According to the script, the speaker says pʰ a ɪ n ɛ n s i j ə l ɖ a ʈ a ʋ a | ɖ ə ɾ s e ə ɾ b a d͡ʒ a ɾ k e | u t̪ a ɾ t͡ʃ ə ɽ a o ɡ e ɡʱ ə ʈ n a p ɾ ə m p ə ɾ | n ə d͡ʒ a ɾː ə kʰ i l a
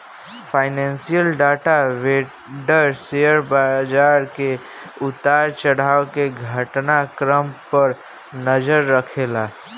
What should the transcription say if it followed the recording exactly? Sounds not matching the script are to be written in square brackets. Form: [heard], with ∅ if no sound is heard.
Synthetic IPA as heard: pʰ a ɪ n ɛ n s i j ə l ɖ a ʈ a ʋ [e] | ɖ ə ɾ s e ə ɾ b a d͡ʒ a ɾ k e | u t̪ a ɾ t͡ʃ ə ɽ a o [k] e ɡʱ ə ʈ n a [k] ɾ ə m p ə ɾ | n ə d͡ʒ [ə] ɾː ə kʰ [e] l a

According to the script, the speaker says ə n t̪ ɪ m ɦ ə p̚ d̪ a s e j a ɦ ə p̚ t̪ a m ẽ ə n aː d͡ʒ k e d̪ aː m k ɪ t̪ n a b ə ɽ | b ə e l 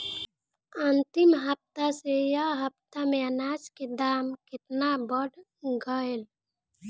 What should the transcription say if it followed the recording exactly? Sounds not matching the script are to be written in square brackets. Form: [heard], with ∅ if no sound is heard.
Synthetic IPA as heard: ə n t̪ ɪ m ɦ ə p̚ [t̪] a s e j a ɦ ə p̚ t̪ a m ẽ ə n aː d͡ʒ k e d̪ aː m k ɪ t̪ n a b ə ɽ | [ɡ] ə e l

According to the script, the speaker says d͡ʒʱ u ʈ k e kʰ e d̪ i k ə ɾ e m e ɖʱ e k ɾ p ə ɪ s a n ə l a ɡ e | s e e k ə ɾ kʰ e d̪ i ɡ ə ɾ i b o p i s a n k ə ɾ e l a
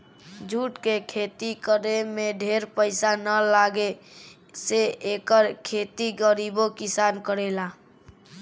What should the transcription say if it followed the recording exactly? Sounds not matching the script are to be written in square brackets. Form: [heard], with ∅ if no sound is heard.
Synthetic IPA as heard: d͡ʒʱ u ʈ k e kʰ e [t̪] i k ə ɾ e m e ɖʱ e [∅] ɾ p ə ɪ s a n ə l a ɡ e | s e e k ə ɾ kʰ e [t̪] i ɡ ə ɾ i b o [k] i s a n k ə ɾ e l a

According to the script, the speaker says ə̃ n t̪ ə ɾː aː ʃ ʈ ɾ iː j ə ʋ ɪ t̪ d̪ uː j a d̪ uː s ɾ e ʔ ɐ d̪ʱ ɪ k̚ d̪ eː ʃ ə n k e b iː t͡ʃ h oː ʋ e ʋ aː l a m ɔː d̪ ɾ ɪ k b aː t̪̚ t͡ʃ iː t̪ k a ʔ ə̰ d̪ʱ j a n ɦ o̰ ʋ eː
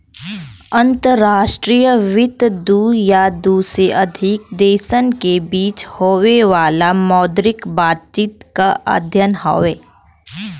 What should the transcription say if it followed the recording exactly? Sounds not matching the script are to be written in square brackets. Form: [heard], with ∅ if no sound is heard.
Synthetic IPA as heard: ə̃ n t̪ ə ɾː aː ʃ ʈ ɾ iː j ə ʋ ɪ t̪ d̪ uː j a d̪ uː s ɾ e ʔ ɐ d̪ʱ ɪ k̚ d̪ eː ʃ ə n k e b iː t͡ʃ h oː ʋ e ʋ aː l a m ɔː d̪ ɾ ɪ k b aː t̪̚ t͡ʃ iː t̪ k a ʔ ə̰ d̪ʱ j [ə] n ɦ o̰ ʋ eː

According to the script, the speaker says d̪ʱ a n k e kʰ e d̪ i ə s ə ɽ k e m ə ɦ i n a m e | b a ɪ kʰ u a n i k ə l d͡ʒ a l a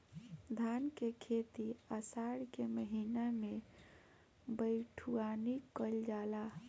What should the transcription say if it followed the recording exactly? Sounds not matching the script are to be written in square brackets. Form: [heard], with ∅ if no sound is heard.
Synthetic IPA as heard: d̪ʱ a n k e kʰ e [t̪] i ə s [a] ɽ k e m ə ɦ i n a m e | b [ə] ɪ [ʈʰ] u a n i k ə l d͡ʒ a l a

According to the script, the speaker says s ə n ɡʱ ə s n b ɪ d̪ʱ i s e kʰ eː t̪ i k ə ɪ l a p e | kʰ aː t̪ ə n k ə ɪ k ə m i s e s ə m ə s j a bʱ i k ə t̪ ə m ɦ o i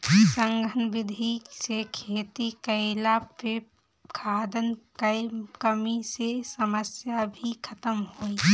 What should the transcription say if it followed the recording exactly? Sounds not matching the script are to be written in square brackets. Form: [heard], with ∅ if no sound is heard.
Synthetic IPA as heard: s ə [ŋ] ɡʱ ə [∅] n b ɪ d̪ʱ i s e kʰ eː t̪ i k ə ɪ l a p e | kʰ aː [d̪] ə n k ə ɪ k ə m i s e s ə m ə s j a bʱ i [kʰ] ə t̪ ə m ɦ o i

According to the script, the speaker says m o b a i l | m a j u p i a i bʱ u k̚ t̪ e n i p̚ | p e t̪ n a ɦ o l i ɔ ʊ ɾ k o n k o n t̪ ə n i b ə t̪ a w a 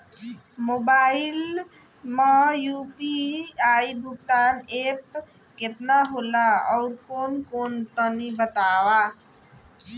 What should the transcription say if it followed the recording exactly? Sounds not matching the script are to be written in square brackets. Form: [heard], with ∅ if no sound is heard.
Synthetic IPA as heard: m o b a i l | m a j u p i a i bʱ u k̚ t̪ [a] n [e] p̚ | [k] e t̪ n a ɦ o l [a] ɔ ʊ ɾ k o n k o n t̪ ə n i b ə t̪ a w a

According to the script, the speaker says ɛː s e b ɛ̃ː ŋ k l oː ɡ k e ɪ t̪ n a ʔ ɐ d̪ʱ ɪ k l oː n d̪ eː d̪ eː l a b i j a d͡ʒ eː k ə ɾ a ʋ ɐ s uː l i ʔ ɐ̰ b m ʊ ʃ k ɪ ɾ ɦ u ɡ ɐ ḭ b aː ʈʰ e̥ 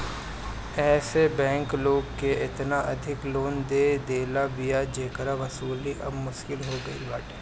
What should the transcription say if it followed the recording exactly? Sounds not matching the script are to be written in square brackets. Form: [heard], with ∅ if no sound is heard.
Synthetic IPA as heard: ɛː s e b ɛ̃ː ŋ k l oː ɡ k e ɪ t̪ n a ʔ ɐ d̪ʱ ɪ k l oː n d̪ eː d̪ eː l a b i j a d͡ʒ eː k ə ɾ a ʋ ɐ s uː l i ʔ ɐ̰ b m ʊ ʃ k ɪ [l] ɦ [o] ɡ ɐ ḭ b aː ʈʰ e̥

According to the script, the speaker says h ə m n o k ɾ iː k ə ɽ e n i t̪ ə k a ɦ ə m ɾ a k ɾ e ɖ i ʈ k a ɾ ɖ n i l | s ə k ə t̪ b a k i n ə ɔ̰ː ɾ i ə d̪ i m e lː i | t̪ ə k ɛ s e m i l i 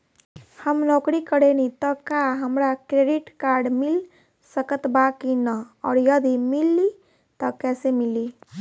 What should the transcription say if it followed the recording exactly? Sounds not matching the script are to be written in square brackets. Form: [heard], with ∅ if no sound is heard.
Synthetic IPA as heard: h ə m n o k ɾ [i] k ə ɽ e n i t̪ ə k a ɦ ə m ɾ a k ɾ e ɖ i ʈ k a ɾ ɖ [m] i l | s ə k ə t̪ b a k i n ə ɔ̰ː ɾ [j] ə d̪ i m [i] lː i | t̪ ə k ɛ s e m i l i

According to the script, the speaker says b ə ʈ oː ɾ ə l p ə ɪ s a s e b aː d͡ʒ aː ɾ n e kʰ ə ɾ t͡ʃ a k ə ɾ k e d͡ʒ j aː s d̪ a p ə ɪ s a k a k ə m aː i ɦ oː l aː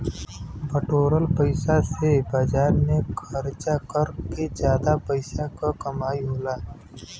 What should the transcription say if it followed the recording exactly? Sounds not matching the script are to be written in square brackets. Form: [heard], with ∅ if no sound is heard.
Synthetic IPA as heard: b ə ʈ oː ɾ ə l p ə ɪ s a s e b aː d͡ʒ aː ɾ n e kʰ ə ɾ t͡ʃ a k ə ɾ k e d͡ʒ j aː [∅] d̪ a p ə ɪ s a k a k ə m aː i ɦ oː l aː

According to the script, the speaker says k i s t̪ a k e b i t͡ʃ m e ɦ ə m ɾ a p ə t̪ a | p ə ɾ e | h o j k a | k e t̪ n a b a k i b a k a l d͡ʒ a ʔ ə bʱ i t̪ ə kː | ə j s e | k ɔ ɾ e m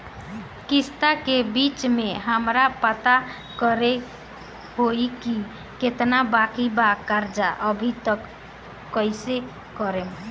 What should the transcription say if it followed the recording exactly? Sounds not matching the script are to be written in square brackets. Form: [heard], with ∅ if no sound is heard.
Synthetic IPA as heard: k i s t̪ a k e b i t͡ʃ m e ɦ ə m ɾ a p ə t̪ a | [k] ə ɾ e | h o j k [i] | k e t̪ n a b a k i b a k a [ɾ] d͡ʒ a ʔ ə bʱ i t̪ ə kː | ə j s e | k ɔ ɾ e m

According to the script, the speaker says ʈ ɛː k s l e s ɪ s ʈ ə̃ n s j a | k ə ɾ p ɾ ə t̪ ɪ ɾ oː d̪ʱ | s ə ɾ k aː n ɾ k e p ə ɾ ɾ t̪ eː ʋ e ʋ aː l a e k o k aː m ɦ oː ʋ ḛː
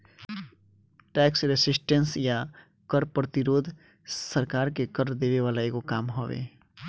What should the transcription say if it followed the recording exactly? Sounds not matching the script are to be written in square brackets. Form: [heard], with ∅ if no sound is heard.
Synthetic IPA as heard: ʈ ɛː k s [ɾ] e s ɪ s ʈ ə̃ n s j a | k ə ɾ p ɾ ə t̪ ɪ ɾ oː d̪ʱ | s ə ɾ k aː [∅] ɾ k e [k] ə ɾ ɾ [d̪] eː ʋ e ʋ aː l a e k o k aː m ɦ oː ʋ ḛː

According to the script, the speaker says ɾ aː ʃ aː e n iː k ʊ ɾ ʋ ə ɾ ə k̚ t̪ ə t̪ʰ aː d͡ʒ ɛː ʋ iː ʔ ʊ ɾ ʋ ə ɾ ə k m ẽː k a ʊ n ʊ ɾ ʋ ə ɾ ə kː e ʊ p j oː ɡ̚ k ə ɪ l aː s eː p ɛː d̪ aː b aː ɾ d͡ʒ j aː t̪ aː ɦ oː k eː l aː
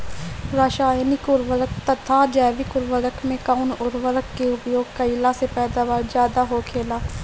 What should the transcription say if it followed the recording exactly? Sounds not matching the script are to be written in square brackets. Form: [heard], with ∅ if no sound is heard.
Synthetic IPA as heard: ɾ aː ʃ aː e n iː k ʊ ɾ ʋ ə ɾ ə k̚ t̪ ə t̪ʰ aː d͡ʒ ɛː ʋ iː [k] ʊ ɾ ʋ ə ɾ ə k m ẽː k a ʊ n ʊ ɾ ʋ ə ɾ ə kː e ʊ p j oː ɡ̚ k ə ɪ l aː s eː p ɛː d̪ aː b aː ɾ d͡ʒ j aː [d̪] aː ɦ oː [kʰ] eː l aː

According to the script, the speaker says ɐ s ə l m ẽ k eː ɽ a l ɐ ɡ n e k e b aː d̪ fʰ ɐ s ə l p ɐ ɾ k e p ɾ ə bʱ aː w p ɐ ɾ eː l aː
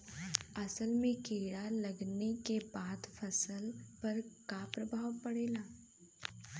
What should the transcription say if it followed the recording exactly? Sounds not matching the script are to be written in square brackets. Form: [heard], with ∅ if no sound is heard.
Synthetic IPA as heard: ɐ s ə l m ẽ k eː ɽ a l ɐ ɡ n e k e b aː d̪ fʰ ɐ s ə l p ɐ ɾ k [a] p ɾ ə bʱ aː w p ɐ [ɽ] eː l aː

